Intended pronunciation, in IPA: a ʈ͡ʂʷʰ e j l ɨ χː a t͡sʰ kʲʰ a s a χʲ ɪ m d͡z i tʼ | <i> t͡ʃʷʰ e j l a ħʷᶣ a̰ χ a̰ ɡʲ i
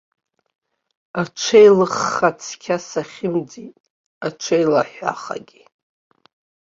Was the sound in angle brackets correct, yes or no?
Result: no